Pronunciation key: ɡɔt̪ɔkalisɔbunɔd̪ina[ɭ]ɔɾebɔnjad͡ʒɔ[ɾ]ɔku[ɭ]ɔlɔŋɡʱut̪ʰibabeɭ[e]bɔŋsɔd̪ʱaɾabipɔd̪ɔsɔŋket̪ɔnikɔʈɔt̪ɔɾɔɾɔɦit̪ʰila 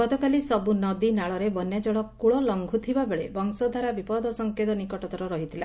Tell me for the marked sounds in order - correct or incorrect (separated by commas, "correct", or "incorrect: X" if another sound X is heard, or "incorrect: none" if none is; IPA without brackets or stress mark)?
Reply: correct, incorrect: ɭ, correct, correct